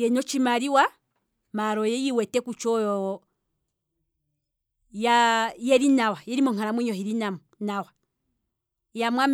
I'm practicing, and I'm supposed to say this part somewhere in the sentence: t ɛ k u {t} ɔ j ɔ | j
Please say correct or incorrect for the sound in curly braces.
incorrect